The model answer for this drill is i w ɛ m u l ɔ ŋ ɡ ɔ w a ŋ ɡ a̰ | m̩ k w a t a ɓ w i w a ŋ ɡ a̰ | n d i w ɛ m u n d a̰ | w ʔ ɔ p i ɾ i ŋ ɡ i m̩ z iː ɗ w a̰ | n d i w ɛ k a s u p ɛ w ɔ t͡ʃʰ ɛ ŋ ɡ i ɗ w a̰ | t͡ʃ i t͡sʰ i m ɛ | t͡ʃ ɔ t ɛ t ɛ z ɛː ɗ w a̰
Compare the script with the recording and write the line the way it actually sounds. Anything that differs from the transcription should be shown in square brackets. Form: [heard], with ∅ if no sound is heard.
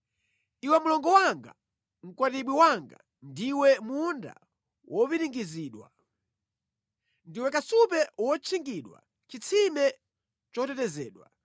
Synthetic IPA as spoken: i w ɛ m u l ɔ ŋ ɡ ɔ w a ŋ ɡ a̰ | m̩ k w a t [i] ɓ w i w a ŋ ɡ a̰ | n d i w ɛ m u n d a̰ | w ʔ ɔ p i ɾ i ŋ ɡ i [∅] z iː ɗ w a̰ | n d i w ɛ k a s u p ɛ w ɔ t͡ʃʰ [i] ŋ ɡ i ɗ w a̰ | t͡ʃ i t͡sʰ i m ɛ | t͡ʃ ɔ t ɛ t ɛ z ɛː ɗ w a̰